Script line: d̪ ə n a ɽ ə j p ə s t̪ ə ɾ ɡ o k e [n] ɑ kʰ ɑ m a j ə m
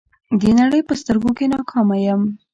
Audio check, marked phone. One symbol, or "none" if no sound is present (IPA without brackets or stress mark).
n